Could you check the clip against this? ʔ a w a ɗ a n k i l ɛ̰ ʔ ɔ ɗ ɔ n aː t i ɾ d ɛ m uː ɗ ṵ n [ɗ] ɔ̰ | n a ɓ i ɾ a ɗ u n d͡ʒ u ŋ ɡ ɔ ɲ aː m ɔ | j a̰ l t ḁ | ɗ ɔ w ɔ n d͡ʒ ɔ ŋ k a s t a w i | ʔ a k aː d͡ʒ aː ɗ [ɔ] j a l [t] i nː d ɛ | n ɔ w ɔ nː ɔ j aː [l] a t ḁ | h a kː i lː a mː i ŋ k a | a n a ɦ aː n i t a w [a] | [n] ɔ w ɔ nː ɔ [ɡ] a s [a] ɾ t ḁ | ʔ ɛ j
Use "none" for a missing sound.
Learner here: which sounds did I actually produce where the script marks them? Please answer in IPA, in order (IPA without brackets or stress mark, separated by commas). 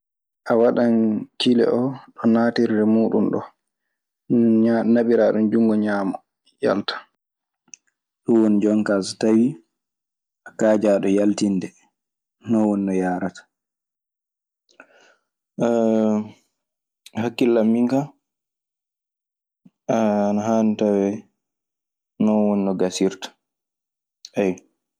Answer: ɗ, ɔ, t, ɾ, ɛ, n, ɡ, i